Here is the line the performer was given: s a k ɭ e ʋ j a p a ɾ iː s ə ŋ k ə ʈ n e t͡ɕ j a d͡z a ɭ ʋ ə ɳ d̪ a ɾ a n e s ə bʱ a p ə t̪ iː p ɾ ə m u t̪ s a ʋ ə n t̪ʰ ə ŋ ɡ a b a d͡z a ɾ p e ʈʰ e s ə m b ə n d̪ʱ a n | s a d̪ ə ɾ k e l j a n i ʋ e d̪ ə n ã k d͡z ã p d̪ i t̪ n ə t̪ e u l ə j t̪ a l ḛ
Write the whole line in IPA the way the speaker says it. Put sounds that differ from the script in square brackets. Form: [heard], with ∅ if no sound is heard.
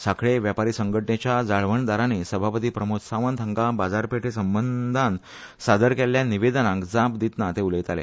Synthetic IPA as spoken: s a k ɭ e ʋ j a p a ɾ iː s ə ŋ [ɡ] ə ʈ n e t͡ɕ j a d͡z a ɭ ʋ ə ɳ d̪ a ɾ a n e s ə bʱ a p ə t̪ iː p ɾ ə m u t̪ s a ʋ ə n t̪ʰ ə ŋ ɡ a b a d͡z a ɾ p e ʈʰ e s ə m b ə n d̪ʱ a n | s a d̪ ə ɾ k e l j a n i ʋ e d̪ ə n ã k d͡z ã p d̪ i t̪ n [a] t̪ e u l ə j t̪ a l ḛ